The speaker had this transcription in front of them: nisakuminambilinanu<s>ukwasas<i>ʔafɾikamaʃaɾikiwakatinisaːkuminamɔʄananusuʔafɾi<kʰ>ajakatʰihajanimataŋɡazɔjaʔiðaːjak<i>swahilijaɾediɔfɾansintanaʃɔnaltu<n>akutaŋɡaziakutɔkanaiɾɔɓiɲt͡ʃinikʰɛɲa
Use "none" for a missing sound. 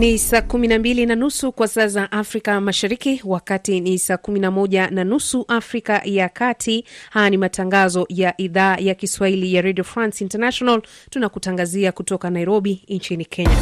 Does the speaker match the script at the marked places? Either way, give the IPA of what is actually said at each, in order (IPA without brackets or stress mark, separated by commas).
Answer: s, a, k, i, n